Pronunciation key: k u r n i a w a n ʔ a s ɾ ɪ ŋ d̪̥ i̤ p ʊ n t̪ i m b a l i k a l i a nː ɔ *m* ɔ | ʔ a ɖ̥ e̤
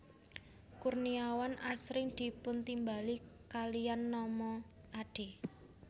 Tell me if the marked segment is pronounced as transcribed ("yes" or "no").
yes